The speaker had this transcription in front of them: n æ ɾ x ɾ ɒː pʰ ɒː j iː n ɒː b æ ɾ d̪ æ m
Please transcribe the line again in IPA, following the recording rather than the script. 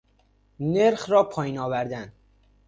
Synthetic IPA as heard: n e ɾ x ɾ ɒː pʰ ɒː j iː n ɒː v æ ɾ d̪ æ n